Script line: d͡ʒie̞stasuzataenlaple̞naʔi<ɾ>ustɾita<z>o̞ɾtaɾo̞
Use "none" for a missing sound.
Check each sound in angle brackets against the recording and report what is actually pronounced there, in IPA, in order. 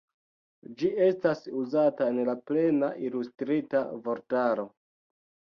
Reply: l, v

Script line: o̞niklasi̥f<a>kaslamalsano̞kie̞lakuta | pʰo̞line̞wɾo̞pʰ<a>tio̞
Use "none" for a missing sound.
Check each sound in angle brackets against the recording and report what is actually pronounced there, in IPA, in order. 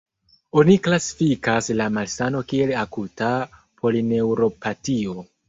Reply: i, a

